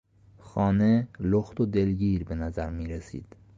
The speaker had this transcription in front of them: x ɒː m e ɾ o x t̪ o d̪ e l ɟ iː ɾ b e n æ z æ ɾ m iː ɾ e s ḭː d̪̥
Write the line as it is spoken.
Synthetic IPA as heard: x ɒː n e l o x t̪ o d̪ e l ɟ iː ɾ b e n æ z æ ɾ m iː ɾ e s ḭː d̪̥